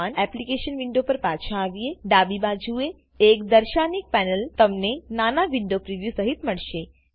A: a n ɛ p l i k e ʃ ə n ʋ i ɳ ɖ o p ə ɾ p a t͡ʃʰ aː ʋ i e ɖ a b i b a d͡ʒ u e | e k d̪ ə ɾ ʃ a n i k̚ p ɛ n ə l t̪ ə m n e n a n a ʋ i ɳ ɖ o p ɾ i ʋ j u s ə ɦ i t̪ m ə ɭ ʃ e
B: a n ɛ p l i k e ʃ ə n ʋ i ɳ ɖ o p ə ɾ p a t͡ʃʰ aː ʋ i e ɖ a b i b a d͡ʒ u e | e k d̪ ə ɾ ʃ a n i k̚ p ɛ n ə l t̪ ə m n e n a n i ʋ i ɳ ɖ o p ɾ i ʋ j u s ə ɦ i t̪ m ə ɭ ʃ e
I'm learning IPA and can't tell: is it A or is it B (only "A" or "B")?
A